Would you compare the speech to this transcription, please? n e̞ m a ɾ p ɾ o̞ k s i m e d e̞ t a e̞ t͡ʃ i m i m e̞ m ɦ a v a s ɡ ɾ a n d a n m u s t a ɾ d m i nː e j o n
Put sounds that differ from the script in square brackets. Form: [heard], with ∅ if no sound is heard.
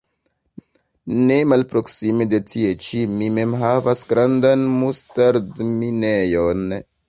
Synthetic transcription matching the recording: n e̞ m a [l] p ɾ o̞ k s i m e d e̞ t [i] e̞ t͡ʃ i m i m e̞ m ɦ a v a s ɡ ɾ a n d a n m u s t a ɾ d m i [n] e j o n